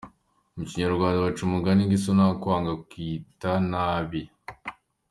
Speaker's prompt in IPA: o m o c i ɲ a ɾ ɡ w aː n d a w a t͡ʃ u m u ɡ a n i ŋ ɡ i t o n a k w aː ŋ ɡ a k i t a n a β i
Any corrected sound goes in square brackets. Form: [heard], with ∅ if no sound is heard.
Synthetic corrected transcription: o m [u] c i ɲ a ɾ ɡ w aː n d a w a t͡ʃ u m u ɡ a n i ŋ ɡ i [s] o n a k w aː ŋ ɡ a k i t a n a β i